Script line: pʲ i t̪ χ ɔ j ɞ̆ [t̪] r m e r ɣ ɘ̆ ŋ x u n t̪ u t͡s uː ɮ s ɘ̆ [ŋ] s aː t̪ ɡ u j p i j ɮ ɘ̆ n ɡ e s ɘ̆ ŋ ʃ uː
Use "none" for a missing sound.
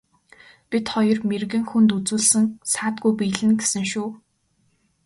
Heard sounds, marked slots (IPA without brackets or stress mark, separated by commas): none, ŋ